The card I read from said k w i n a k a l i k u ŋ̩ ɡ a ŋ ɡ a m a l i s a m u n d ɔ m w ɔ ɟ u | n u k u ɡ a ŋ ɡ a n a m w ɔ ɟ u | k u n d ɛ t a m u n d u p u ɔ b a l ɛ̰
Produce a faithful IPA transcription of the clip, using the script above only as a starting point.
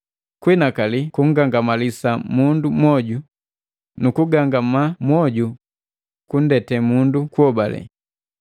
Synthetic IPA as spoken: k w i n a k a l i k u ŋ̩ ɡ a ŋ ɡ a m a l i s a m u n d u m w ɔ ɟ u | n u k u ɡ a ŋ ɡ a m a m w ɔ ɟ u | k u n d ɛ t ɛ m u n d u k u ɔ b a l ɛ̰